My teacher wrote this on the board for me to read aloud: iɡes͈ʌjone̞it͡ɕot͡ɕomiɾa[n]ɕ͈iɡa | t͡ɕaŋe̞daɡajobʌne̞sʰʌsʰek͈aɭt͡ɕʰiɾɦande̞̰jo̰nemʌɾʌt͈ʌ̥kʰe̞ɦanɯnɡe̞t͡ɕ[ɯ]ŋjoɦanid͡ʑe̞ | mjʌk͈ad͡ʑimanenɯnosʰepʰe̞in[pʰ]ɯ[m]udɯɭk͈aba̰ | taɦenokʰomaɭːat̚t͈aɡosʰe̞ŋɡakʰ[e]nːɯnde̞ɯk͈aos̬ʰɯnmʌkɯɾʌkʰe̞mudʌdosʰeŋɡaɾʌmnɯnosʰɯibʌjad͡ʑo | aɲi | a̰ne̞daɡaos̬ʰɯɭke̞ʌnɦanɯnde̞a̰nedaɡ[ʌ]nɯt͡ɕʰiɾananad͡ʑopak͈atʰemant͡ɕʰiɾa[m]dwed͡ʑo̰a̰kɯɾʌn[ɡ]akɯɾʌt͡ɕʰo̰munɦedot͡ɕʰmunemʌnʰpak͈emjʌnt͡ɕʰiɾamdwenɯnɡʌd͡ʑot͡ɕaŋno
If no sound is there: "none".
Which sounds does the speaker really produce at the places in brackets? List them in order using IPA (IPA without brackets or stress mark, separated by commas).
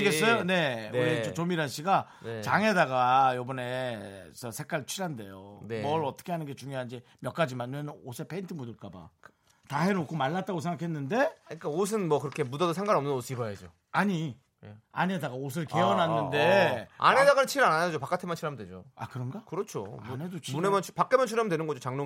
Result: n, u, tʰ, m, e, a, m, ɡ